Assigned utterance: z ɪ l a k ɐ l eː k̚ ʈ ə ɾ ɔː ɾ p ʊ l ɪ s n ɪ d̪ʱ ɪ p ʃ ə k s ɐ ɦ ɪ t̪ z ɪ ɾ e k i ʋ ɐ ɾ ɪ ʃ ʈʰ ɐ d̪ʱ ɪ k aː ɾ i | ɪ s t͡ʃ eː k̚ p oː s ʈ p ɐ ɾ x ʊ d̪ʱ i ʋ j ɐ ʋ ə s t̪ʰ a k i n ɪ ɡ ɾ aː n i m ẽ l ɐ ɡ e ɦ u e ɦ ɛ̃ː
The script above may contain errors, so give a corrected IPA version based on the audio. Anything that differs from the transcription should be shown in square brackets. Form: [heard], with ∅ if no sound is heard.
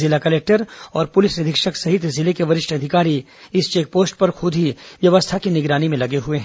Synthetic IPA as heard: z ɪ l a k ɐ l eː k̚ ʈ ə ɾ ɔː ɾ p ʊ l ɪ s n ɪ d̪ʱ ɪ [k] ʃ ə k s ɐ ɦ ɪ t̪ z ɪ [l] e k [e] ʋ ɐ ɾ ɪ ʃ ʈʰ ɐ d̪ʱ ɪ k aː ɾ i | ɪ s t͡ʃ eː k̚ p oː s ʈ p ɐ ɾ x ʊ d̪ʱ i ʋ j ɐ ʋ ə s t̪ʰ a k i n ɪ ɡ ɾ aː n i m ẽ l ɐ ɡ e ɦ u e ɦ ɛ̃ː